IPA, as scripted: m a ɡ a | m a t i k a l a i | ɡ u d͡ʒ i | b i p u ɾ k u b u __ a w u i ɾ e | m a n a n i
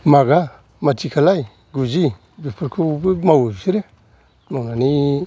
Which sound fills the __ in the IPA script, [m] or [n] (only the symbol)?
m